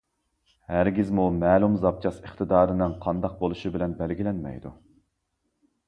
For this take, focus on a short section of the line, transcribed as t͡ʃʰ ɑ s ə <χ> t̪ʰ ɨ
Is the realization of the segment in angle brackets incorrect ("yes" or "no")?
no